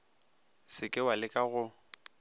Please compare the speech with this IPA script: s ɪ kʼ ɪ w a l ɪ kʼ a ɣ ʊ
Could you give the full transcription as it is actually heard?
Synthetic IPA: s ɪ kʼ ɪ w a l ɪ kʼ a ɣ ʊ